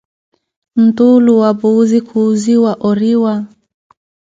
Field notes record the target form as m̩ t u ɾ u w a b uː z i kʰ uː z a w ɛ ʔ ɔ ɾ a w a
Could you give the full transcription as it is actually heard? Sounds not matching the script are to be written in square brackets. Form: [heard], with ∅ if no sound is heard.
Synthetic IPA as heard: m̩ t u [l] u w a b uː z i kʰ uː z [i] w [a] ʔ ɔ ɾ [i] w a